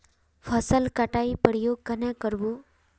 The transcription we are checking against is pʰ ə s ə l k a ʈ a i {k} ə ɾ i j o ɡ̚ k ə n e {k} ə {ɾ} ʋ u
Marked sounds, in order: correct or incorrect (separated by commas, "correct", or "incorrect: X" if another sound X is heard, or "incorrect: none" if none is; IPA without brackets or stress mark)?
incorrect: p, correct, correct